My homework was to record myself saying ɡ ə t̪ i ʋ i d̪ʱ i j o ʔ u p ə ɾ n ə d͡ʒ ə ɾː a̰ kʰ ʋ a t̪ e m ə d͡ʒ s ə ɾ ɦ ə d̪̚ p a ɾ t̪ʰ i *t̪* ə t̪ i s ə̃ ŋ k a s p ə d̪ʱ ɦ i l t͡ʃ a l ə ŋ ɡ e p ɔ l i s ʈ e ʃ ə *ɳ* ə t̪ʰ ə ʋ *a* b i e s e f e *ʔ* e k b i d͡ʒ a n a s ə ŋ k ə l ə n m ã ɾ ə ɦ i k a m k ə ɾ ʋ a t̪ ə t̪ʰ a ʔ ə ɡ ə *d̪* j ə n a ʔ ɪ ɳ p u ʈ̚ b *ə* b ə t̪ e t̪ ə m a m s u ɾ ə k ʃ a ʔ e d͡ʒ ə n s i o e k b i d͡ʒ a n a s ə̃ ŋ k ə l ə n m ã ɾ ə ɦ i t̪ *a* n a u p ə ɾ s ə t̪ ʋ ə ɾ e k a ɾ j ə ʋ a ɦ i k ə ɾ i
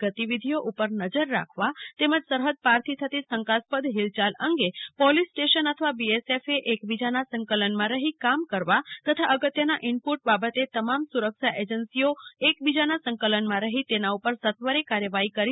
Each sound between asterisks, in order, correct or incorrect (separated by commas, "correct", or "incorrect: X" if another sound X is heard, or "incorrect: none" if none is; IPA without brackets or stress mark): incorrect: t̪ʰ, incorrect: n, correct, correct, incorrect: t̪, incorrect: a, incorrect: e